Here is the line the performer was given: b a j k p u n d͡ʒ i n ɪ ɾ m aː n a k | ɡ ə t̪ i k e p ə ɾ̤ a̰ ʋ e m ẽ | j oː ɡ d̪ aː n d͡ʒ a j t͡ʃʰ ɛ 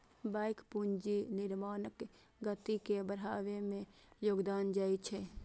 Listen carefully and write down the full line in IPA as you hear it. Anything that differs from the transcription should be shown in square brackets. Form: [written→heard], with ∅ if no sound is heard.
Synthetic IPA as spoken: b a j k p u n d͡ʒ i n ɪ ɾ m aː n [a→ə] k | ɡ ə t̪ i k e [p→b] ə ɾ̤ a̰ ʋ e m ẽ | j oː ɡ d̪ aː n d͡ʒ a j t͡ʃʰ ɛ